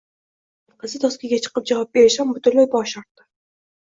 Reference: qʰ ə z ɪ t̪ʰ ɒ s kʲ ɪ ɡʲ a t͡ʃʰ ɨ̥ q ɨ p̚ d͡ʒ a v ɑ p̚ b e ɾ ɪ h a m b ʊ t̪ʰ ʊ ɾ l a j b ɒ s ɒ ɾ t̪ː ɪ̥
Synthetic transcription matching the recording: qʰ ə z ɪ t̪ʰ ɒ s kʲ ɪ ɡʲ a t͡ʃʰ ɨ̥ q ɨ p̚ d͡ʒ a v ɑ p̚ b e ɾ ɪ ʃ a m b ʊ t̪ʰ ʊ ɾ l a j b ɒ ʃ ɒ ɾ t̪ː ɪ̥

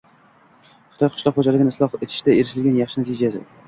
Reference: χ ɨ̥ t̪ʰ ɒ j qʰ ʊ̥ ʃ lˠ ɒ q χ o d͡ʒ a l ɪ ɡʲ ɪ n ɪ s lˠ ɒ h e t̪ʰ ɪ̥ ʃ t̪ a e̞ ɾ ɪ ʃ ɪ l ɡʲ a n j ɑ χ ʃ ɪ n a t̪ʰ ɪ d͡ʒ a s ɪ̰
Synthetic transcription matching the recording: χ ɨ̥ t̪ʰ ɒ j qʰ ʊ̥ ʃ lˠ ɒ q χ o d͡ʒ a l ɪ ɡʲ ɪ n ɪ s lˠ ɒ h e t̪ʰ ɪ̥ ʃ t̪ a e̞ ɾ ɪ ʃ ɪ l ɡʲ a n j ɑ χ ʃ ɪ n a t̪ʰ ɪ d͡ʒ a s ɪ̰

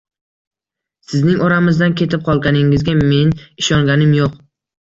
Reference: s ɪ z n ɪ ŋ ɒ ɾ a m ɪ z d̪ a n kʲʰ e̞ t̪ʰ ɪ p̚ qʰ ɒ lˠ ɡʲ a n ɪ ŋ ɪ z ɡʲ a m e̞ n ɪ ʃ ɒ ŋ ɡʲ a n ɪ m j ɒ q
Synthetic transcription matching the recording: s ɪ z n ɪ ŋ ɒ ɾ a m ɪ z d̪ a n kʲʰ e̞ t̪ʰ ɪ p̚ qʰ ɒ lˠ ɡʲ a n ɪ ŋ ɪ z ɡʲ a m e̞ n ɪ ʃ ɒ ŋ ɡʲ a n ɪ m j o q

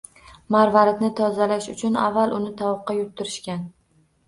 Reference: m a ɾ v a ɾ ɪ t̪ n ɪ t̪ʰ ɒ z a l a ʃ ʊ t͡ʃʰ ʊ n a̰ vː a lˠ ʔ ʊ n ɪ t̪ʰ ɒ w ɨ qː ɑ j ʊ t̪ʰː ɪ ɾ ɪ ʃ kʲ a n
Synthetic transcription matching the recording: m a ɾ v a ɾ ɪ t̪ n ɪ t̪ʰ ɒ z a l a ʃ ʊ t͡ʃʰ ʊ n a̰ vː a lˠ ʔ ʊ n ɪ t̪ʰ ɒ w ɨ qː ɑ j ʊ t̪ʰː ɪ ɾ ɪ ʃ kʲ a n

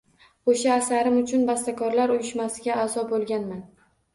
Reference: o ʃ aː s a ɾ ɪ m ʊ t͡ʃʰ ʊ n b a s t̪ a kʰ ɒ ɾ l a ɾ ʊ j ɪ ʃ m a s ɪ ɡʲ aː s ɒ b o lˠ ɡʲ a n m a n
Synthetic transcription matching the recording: o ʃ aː s a ɾ ɪ m ʊ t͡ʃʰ ʊ n b a s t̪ a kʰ ɒ ɾ l a ɾ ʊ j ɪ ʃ m a s ɪ ɡʲ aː z ɒ b o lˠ ɡʲ a n m a n

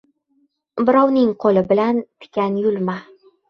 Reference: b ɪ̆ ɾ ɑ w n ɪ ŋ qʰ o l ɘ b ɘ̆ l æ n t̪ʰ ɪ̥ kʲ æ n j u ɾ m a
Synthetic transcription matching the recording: b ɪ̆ ɾ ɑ w n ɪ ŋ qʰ o l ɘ b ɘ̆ l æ n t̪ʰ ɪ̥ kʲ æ n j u l m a

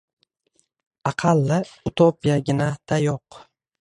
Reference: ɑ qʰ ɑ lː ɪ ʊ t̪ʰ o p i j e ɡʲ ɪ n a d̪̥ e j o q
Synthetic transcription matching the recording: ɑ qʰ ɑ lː ɪ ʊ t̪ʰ o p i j a ɡʲ ɪ n a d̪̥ a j o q

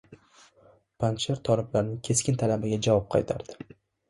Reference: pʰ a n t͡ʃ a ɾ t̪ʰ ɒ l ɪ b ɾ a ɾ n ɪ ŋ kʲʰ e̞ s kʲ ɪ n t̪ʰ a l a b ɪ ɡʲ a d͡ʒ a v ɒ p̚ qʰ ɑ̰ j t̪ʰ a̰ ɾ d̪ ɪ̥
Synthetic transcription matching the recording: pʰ a n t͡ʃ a ɾ t̪ʰ ɒ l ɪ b l a ɾ n ɪ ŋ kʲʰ e̞ s kʲ ɪ n t̪ʰ a l a b ɪ ɡʲ a d͡ʒ a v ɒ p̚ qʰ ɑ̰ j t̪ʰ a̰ ɾ d̪ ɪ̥

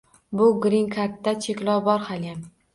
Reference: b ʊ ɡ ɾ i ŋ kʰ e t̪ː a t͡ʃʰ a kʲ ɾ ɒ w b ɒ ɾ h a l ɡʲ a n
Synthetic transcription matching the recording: b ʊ ɡ ɾ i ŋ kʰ a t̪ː a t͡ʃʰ e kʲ l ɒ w b ɒ ɾ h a l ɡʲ a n

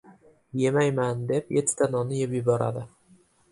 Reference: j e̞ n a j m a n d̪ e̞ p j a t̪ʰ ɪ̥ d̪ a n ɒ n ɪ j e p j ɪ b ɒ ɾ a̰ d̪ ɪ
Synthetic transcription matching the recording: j e̞ m a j m a n d̪ e̞ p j e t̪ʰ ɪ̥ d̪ a n ɒ n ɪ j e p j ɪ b ɒ ɾ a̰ d̪ ɪ

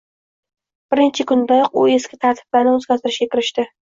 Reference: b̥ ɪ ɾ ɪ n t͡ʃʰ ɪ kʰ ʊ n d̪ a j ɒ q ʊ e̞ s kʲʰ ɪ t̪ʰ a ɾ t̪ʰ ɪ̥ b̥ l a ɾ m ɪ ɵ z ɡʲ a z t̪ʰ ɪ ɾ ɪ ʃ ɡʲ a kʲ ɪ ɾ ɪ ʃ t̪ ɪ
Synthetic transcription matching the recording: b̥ ɪ ɾ ɪ n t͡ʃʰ ɪ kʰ ʊ n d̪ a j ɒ q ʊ e̞ s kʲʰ ɪ t̪ʰ a ɾ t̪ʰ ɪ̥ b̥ l a ɾ n ɪ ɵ z ɡʲ a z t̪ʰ ɪ ɾ ɪ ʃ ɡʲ a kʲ ɪ ɾ ɪ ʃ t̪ ɪ

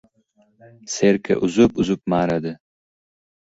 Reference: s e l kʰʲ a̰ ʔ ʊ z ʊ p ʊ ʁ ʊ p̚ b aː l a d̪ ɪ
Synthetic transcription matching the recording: s e ɾ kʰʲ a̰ ʔ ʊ z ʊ p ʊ z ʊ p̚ m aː ɾ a d̪ ɪ

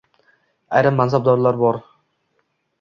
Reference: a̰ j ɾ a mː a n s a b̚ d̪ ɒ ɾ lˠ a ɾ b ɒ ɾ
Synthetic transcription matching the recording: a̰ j ɾ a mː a n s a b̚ d̪ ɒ ɾ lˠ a ɾ b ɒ ɾ

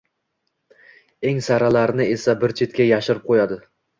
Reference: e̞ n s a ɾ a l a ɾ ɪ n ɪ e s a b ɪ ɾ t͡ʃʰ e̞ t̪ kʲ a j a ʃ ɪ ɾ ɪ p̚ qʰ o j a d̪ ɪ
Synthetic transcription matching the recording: e̞ ŋ s a ɾ a l a ɾ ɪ n ɪ e s a b ɪ ɾ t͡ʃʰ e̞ t̪ kʲ a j a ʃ ɪ ɾ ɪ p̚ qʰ o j a d̪ ɪ

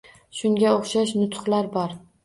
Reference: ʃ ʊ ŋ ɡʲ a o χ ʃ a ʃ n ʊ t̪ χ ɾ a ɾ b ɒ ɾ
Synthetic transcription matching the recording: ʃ ʊ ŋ ɡʲ a o χ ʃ a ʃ n ʊ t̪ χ l a ɾ b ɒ ɾ

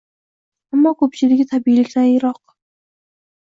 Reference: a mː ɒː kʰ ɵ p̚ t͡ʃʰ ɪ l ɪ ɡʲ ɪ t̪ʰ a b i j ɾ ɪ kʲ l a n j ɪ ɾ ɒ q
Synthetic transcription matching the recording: a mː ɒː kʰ ɵ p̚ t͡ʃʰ ɪ l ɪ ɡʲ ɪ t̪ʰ a b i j l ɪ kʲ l a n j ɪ ɾ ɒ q

